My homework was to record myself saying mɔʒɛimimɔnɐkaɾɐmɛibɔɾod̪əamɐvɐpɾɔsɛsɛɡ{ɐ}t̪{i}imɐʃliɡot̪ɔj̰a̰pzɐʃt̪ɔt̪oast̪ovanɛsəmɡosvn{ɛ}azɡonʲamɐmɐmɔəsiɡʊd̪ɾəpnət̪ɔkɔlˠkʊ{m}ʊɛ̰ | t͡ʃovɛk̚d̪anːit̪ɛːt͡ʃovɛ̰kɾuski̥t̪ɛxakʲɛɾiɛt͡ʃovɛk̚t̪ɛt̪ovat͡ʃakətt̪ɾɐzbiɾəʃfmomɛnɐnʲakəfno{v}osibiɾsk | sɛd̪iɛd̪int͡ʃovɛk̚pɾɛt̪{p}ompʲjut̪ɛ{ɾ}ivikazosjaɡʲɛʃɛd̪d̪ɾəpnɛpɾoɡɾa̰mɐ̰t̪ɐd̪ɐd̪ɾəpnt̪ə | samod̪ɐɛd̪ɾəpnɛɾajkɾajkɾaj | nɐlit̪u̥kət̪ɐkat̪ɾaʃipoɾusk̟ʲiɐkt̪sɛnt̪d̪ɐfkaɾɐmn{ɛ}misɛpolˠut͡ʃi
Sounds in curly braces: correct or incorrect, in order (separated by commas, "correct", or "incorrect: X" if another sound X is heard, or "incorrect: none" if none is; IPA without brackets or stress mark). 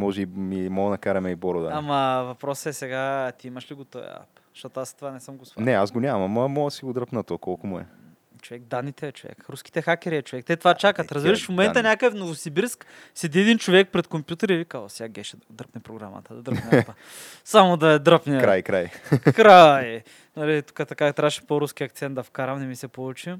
incorrect: a, correct, correct, correct, correct, incorrect: k, correct, correct